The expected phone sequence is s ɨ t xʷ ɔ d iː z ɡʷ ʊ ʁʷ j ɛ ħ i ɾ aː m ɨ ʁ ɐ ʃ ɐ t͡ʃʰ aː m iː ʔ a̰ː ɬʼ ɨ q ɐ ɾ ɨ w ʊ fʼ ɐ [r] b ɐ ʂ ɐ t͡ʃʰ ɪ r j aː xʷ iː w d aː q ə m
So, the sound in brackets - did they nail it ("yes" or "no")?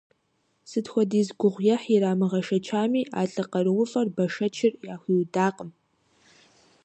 yes